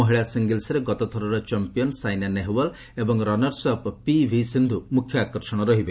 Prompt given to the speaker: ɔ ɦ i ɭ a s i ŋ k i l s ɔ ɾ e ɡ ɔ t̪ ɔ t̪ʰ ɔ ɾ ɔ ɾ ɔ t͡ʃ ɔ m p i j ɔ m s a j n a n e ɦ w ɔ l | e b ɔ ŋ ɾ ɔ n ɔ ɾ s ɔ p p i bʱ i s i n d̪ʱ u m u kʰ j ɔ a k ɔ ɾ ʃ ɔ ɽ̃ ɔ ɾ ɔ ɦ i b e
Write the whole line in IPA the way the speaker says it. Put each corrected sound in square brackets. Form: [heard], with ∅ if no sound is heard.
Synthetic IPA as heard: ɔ ɦ i ɭ a s i ŋ [ɡ] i l s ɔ ɾ e ɡ ɔ t̪ ɔ t̪ʰ ɔ ɾ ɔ ɾ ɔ t͡ʃ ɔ m p i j ɔ [n] s a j n a n e ɦ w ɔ l | e b ɔ ŋ ɾ ɔ n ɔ ɾ s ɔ p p i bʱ i s i n d̪ʱ u m u kʰ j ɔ a k ɔ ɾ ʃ ɔ ɽ̃ ɔ ɾ ɔ ɦ i b e

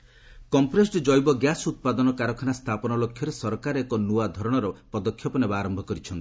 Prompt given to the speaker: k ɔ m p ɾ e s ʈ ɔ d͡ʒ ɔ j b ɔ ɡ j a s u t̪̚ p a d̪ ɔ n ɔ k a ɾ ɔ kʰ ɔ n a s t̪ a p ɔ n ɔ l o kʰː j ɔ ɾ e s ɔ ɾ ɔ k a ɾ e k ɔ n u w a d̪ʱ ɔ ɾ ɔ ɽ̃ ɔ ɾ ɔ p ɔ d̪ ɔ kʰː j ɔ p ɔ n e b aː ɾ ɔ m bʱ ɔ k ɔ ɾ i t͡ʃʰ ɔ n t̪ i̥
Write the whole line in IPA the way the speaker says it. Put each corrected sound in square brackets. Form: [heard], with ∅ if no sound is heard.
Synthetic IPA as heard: k ɔ m p ɾ e s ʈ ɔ d͡ʒ ɔ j b ɔ ɡ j a s u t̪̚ p a d̪ ɔ n ɔ k a ɾ ɔ kʰ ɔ n a s [t̪ʰ] a p ɔ n ɔ l o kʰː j ɔ ɾ e s ɔ ɾ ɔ k a ɾ e k ɔ n u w a d̪ʱ ɔ ɾ ɔ ɽ̃ ɔ ɾ ɔ p ɔ d̪ ɔ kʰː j ɔ p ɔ n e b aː ɾ ɔ m bʱ ɔ k ɔ ɾ i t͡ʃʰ ɔ n t̪ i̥

